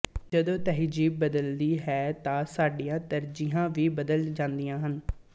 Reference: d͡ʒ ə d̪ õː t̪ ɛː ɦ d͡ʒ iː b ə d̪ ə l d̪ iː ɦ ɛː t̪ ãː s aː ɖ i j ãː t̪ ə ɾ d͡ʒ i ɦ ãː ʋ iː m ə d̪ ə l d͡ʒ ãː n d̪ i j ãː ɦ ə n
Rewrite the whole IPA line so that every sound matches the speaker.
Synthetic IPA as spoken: d͡ʒ ə d̪ õː t̪ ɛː ɦ d͡ʒ iː b ə d̪ ə l d̪ iː ɦ ɛː t̪ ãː s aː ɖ i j ãː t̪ ə ɾ d͡ʒ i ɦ ãː ʋ iː b ə d̪ ə l d͡ʒ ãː n d̪ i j ãː ɦ ə n

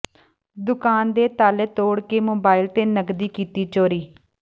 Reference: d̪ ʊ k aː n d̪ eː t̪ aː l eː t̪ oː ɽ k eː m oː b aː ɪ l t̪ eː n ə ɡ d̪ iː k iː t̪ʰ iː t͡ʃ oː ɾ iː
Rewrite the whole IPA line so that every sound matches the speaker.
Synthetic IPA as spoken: d̪ ʊ k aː n d̪ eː t̪ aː l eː t̪ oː ɽ k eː m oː b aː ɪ l t̪ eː n ə ɡ d̪ iː k iː t̪ iː t͡ʃ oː ɾ iː

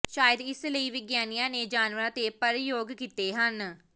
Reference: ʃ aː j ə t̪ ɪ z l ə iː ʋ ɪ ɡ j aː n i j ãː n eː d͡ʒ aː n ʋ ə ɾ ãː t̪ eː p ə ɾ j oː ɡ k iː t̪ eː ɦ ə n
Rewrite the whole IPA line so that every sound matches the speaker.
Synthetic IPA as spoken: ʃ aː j ə d̪ ɪ s l ə iː ʋ ɪ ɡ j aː n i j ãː n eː d͡ʒ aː n ʋ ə ɾ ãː t̪ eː p ə ɾ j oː ɡ k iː t̪ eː ɦ ə n

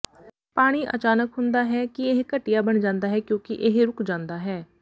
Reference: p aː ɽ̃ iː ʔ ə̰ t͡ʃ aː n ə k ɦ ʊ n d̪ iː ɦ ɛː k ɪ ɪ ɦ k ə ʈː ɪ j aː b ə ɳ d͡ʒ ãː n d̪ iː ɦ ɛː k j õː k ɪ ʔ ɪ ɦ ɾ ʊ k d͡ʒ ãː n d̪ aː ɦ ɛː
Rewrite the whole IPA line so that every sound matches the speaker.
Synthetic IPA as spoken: p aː ɽ̃ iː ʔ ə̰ t͡ʃ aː n ə k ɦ ʊ n d̪ aː ɦ ɛː k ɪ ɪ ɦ k ə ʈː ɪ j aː b ə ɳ d͡ʒ ãː n d̪ aː ɦ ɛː k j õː k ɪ ʔ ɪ ɦ ɾ ʊ k d͡ʒ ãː n d̪ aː ɦ ɛː

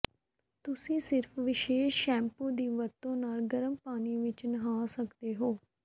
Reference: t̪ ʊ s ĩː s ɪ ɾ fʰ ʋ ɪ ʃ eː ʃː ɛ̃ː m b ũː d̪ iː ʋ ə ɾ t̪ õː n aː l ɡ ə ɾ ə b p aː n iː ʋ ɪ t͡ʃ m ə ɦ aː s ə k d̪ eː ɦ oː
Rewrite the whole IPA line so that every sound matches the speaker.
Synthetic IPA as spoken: t̪ ʊ s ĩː s ɪ ɾ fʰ ʋ ɪ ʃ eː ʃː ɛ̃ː m p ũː d̪ iː ʋ ə ɾ t̪ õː n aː l ɡ ə ɾ ə m p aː n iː ʋ ɪ t͡ʃ n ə ɦ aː s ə k d̪ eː ɦ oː

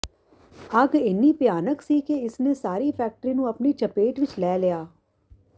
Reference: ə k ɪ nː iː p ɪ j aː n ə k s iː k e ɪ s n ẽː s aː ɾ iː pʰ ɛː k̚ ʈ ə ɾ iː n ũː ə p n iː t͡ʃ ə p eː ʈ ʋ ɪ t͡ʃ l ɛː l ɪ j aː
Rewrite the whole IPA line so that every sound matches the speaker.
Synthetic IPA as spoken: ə ɡ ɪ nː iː p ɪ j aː n ə k s iː k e ɪ s n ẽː s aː ɾ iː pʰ ɛː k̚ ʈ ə ɾ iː n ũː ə p n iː t͡ʃ ə p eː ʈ ʋ ɪ t͡ʃ l ɛː l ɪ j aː

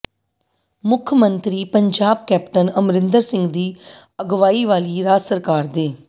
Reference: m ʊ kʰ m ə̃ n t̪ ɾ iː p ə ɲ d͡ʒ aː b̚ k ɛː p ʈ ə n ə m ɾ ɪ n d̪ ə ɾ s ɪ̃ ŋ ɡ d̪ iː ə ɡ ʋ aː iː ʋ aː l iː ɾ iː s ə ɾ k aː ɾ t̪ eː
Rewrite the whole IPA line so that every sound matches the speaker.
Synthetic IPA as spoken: m ʊ kʰ m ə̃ n t̪ ɾ iː p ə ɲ d͡ʒ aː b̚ k ɛː p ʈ ə n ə m ɾ ɪ n d̪ ə ɾ s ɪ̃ ŋ ɡ d̪ iː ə ɡ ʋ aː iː ʋ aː l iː ɾ aː s ə ɾ k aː ɾ d̪ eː

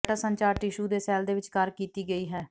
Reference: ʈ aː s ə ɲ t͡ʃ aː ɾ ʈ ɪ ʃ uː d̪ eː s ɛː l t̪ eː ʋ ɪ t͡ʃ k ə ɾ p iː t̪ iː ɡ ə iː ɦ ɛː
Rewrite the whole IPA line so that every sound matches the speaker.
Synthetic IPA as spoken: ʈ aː s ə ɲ t͡ʃ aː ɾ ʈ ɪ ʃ uː d̪ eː s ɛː l d̪ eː ʋ ɪ t͡ʃ k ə ɾ k iː t̪ iː ɡ ə iː ɦ ɛː

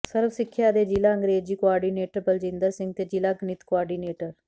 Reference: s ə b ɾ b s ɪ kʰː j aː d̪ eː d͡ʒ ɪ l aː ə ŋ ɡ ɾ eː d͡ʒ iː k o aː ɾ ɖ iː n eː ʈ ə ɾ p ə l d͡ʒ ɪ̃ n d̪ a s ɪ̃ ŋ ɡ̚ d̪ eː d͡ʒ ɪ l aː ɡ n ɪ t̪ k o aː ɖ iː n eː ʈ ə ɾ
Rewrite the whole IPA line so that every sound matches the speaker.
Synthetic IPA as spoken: s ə ɾ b s ɪ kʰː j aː d̪ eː d͡ʒ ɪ l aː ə ŋ ɡ ɾ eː d͡ʒ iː k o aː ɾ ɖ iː n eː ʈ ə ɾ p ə l d͡ʒ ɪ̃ n d̪ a s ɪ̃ ŋ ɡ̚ t̪ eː d͡ʒ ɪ l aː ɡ n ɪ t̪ k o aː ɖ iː n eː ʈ ə ɾ

